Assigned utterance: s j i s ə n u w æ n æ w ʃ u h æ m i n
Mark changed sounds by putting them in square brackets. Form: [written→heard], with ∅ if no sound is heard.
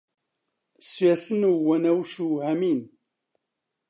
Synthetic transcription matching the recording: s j [i→æ] s ə n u w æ n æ w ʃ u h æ m i n

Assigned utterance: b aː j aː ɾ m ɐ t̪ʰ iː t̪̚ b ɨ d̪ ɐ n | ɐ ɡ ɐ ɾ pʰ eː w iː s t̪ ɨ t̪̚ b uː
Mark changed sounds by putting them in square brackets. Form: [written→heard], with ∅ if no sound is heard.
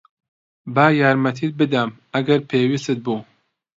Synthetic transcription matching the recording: b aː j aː ɾ m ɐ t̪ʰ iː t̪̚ b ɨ d̪ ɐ [n→m] | ɐ ɡ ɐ ɾ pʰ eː w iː s t̪ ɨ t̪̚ b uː

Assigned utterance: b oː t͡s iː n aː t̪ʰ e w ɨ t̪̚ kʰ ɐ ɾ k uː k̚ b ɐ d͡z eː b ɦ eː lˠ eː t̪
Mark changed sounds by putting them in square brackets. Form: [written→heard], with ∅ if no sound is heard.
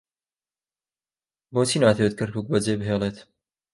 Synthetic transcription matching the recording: b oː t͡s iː n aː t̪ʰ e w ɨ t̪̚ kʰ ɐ ɾ k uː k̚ b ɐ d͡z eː b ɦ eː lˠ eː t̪

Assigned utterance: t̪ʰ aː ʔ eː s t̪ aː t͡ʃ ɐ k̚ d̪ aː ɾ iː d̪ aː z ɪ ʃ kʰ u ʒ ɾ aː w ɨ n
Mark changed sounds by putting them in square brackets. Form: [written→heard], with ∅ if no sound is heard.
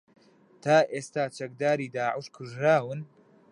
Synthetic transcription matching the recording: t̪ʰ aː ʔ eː s t̪ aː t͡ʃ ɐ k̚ d̪ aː ɾ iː d̪ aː [z→ʕ] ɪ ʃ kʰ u ʒ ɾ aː w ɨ n

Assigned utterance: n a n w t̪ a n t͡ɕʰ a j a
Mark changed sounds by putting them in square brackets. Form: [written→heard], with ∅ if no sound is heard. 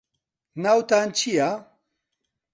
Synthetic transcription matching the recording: n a [n→∅] w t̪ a n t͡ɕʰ [a→i] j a

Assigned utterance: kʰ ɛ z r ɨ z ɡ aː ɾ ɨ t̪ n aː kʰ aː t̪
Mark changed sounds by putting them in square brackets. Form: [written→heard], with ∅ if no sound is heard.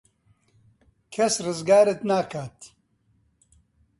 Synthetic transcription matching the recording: kʰ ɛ [z→s] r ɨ z ɡ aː ɾ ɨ t̪ n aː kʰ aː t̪

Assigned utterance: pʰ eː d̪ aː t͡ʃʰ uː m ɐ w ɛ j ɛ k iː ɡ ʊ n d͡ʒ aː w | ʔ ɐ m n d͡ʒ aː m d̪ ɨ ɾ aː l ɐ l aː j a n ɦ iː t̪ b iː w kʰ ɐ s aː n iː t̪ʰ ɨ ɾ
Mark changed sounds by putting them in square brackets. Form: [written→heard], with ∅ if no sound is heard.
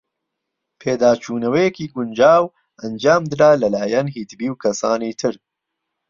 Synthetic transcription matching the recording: pʰ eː d̪ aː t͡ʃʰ uː [m→n] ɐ w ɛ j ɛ k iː ɡ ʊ n d͡ʒ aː w | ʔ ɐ [m→∅] n d͡ʒ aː m d̪ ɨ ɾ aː l ɐ l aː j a n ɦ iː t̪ b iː w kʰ ɐ s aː n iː t̪ʰ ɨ ɾ

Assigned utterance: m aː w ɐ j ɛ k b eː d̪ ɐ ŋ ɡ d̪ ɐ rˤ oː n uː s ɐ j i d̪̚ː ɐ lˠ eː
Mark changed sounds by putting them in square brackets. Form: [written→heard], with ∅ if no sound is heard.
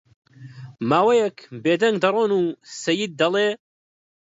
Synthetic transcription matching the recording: m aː w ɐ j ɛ k b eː d̪ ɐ ŋ ɡ d̪ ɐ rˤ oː n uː s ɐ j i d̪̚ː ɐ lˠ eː

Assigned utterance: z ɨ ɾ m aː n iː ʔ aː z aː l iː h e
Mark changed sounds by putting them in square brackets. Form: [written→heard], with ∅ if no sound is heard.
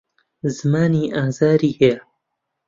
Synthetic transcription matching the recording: z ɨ [ɾ→∅] m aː n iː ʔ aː z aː [l→ɾ] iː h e

